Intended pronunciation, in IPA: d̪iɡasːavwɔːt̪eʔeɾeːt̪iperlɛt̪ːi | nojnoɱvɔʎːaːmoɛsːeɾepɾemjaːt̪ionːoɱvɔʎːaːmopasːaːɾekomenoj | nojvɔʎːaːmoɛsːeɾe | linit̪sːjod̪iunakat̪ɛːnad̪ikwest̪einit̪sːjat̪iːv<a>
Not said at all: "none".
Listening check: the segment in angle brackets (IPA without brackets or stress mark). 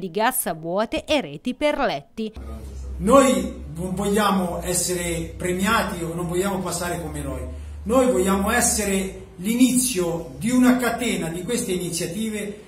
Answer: e